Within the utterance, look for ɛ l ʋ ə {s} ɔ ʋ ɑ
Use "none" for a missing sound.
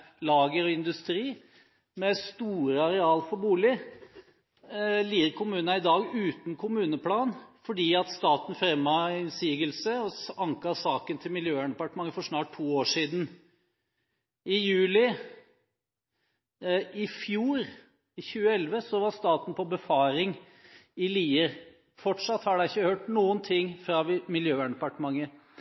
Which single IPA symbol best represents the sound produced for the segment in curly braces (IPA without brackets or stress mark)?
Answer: s